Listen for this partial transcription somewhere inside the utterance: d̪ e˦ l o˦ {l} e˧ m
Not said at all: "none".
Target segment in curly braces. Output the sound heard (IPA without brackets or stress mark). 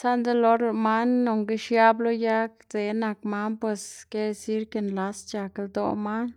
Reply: ɾ